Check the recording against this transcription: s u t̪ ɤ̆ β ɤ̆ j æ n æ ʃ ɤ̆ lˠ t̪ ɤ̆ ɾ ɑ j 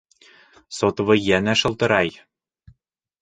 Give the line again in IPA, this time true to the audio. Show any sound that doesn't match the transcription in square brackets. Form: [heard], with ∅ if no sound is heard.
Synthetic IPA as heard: s [o] t̪ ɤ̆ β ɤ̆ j æ n æ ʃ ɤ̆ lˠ t̪ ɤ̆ ɾ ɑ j